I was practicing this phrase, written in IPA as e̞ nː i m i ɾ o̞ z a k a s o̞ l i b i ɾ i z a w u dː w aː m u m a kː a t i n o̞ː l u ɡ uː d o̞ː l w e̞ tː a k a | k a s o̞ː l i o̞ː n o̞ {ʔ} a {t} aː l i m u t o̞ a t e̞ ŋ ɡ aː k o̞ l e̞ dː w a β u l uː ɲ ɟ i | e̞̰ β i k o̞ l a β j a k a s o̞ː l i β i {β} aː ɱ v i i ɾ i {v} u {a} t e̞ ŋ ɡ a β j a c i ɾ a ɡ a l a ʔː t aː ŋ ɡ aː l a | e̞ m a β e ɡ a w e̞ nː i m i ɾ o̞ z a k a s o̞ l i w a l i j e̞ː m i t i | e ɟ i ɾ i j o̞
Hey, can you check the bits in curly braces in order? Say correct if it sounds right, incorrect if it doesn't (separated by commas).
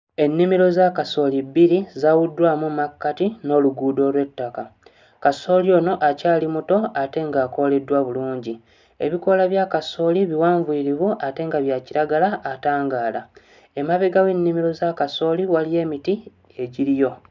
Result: correct, incorrect, incorrect, incorrect, correct